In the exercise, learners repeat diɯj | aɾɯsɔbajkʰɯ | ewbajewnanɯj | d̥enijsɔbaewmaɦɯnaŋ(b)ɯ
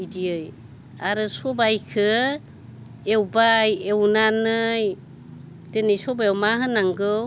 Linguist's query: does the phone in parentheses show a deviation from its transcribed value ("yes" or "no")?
yes